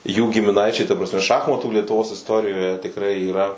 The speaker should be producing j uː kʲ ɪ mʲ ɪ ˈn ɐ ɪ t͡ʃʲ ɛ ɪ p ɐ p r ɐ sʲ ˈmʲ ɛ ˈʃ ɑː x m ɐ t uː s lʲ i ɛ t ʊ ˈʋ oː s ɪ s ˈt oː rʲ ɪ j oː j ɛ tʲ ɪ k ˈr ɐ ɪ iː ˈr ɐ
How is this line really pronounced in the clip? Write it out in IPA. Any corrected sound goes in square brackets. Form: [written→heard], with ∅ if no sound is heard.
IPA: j uː [kʲ→ɡʲ] ɪ mʲ ɪ ˈn ɐ ɪ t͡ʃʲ ɛ ɪ [p→t] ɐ p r ɐ sʲ ˈmʲ ɛ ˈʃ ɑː x m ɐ t uː [s→∅] lʲ i ɛ t ʊ ˈʋ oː s ɪ s ˈt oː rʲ ɪ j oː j ɛ tʲ ɪ k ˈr ɐ ɪ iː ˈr ɐ